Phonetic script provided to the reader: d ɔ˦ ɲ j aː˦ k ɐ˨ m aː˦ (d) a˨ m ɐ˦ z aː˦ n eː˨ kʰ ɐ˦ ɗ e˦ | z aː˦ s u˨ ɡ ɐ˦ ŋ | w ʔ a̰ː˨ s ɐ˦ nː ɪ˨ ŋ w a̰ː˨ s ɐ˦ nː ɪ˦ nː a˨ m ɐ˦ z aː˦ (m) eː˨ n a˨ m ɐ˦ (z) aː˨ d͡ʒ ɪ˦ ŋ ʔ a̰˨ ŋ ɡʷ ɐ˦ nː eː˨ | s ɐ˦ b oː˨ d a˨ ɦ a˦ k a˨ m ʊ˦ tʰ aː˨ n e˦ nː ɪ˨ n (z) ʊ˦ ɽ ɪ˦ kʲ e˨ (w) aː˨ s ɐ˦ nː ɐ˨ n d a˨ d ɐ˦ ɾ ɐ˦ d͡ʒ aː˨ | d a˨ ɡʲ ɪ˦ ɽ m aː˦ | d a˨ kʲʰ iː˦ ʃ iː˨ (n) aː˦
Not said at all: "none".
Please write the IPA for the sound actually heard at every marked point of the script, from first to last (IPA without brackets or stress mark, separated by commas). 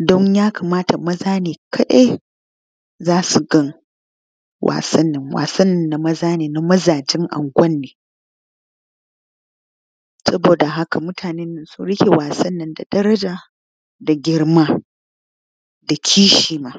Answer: t, n, z, s, w, m